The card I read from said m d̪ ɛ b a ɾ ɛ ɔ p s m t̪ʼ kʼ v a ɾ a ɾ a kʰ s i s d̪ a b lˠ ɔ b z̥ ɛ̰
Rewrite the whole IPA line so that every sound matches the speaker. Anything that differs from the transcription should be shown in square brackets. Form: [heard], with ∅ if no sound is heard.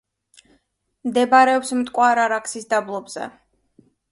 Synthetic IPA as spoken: m d̪ ɛ b a ɾ ɛ ɔ p s m t̪ʼ kʼ [w] a ɾ a ɾ a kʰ s i s d̪ a b lˠ ɔ b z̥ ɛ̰

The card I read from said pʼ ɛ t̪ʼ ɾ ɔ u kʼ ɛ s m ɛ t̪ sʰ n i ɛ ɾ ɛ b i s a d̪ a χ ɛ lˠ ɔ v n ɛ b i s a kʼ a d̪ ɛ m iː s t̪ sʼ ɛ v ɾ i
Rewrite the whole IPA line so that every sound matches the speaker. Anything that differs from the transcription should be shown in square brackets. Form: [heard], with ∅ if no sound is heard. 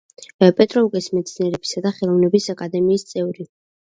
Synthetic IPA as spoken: pʼ ɛ t̪ʼ ɾ ɔ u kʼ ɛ s m ɛ t̪ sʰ n i ɛ ɾ ɛ b i s a d̪ a χ ɛ lˠ ɔ v n ɛ b i s a kʼ a d̪ ɛ m iː s t̪ sʼ ɛ v ɾ i

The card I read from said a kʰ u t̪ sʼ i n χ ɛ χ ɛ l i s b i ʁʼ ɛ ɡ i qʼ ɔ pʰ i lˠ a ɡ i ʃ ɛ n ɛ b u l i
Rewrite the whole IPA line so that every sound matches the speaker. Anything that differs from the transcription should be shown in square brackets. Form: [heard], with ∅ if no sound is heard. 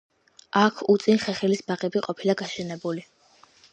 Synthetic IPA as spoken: a kʰ u t̪ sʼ i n χ ɛ χ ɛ l i s b [a] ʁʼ ɛ [b] i qʼ ɔ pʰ i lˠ a ɡ [a] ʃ ɛ n ɛ b u l i

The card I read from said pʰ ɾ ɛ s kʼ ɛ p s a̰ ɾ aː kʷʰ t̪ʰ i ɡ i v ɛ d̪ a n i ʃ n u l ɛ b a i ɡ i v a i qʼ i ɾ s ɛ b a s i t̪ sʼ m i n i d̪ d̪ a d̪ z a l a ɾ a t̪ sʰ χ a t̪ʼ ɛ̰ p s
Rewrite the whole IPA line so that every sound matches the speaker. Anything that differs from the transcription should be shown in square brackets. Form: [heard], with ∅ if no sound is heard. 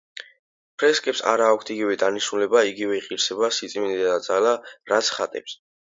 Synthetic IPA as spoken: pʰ ɾ ɛ s kʼ ɛ p s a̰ ɾ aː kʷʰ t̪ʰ i ɡ i v ɛ d̪ a n i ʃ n u l ɛ b a i ɡ i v [ɛ] i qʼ i ɾ s ɛ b a s i t̪ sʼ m i n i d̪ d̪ a d̪ z a l a ɾ a t̪ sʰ χ a t̪ʼ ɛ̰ p s

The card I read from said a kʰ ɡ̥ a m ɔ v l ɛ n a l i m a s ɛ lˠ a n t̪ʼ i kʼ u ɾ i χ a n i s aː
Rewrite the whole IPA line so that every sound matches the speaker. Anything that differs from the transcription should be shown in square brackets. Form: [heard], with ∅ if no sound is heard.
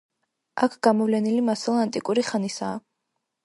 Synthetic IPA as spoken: a kʰ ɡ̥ a m ɔ v l ɛ n [i] l i m a s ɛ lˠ a n t̪ʼ i kʼ u ɾ i χ a n i s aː

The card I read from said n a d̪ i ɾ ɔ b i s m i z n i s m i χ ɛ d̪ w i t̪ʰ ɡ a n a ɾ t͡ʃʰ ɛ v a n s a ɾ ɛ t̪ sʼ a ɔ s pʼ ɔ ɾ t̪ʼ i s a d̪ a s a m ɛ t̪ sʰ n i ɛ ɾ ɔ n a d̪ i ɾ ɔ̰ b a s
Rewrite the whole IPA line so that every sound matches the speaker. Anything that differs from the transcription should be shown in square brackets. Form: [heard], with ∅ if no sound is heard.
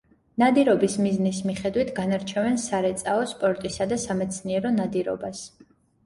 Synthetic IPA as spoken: n a d̪ i ɾ ɔ b i s m i z n i s m i χ ɛ d̪ w i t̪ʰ ɡ a n a ɾ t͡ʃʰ ɛ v [ɛ] n s a ɾ ɛ t̪ sʼ a ɔ s pʼ ɔ ɾ t̪ʼ i s a d̪ a s a m ɛ t̪ sʰ n i ɛ ɾ ɔ n a d̪ i ɾ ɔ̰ b a s

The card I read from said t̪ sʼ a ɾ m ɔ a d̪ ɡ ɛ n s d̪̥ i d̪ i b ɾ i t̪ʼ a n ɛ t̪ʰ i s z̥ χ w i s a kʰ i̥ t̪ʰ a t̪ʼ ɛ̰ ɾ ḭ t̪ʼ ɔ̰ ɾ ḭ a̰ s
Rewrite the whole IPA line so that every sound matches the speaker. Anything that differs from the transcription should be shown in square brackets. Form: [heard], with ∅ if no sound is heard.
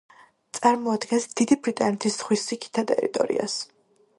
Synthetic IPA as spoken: t̪ sʼ a ɾ m ɔ a d̪ ɡ ɛ n s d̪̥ i d̪ i b ɾ i t̪ʼ a n ɛ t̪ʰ i s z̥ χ w i s [i] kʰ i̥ t̪ʰ a t̪ʼ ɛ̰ ɾ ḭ t̪ʼ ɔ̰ ɾ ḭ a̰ s

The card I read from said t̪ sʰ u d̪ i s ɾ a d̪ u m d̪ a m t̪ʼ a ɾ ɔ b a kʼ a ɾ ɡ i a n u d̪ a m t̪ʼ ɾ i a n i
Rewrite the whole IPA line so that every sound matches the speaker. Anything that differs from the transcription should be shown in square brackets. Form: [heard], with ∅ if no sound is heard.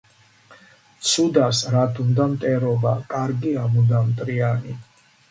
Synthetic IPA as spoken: t̪ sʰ u d̪ [a] s ɾ a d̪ u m d̪ a m t̪ʼ [ɛ] ɾ ɔ b a kʼ a ɾ ɡ i a [m] u d̪ a m t̪ʼ ɾ i a n i

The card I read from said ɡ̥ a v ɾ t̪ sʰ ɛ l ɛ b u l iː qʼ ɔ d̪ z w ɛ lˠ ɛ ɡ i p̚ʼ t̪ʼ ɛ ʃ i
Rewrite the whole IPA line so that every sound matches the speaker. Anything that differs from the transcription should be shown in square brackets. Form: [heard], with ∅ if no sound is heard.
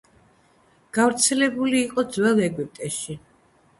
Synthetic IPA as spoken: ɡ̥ a v ɾ t̪ sʰ ɛ l ɛ b u l iː qʼ ɔ d̪ z w ɛ lˠ ɛ ɡ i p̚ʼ t̪ʼ ɛ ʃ i

